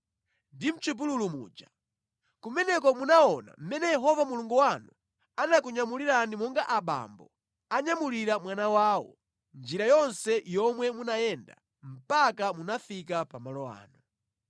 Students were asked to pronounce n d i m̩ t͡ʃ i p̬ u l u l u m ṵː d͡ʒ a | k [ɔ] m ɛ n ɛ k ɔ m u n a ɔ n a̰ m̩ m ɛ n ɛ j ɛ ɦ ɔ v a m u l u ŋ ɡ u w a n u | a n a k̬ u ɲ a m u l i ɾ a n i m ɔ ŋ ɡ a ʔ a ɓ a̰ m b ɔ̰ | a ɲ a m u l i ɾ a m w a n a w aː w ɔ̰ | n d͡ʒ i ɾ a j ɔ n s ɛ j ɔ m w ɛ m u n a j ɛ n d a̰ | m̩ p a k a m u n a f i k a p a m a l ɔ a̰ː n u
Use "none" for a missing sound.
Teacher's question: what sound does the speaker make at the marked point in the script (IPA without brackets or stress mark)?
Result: u